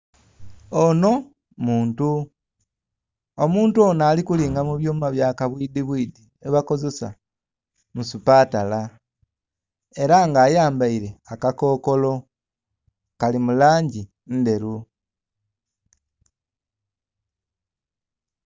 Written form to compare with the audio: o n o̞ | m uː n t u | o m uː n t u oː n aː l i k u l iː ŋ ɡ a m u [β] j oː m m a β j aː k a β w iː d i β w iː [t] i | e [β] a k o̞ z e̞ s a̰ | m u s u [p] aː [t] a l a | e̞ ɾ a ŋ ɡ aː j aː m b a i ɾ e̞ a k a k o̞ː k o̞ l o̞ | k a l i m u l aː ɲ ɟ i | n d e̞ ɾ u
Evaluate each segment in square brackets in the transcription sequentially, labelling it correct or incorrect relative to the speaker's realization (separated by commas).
correct, incorrect, correct, correct, correct